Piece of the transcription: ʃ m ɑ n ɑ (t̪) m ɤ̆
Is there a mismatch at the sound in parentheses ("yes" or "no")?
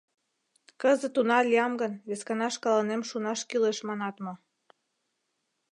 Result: no